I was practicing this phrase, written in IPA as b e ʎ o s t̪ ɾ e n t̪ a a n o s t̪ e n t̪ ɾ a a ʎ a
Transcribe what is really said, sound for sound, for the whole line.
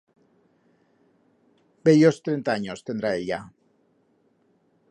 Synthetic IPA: b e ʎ o s t̪ ɾ e n t̪ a a ɲ o s t̪ e n d̪ ɾ a e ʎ a